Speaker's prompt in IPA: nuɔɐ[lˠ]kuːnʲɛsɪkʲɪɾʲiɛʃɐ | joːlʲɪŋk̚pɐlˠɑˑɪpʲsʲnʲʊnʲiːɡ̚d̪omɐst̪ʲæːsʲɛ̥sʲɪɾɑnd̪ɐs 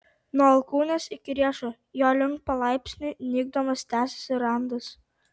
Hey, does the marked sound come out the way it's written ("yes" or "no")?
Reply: yes